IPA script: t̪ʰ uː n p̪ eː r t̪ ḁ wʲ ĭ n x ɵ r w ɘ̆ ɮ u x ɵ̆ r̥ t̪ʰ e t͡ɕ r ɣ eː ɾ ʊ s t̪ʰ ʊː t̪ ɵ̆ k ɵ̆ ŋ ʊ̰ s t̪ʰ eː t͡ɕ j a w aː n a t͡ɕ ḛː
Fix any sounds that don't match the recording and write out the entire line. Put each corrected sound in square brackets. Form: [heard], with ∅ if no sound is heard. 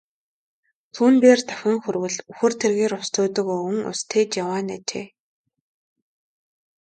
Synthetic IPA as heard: t̪ʰ uː n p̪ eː r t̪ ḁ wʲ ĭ [ŋ] x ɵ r w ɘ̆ ɮ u x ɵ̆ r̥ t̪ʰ e [∅] r ɣ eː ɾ ʊ s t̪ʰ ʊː t̪ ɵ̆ k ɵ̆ ŋ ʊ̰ s t̪ʰ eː t͡ɕ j a w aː n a t͡ɕ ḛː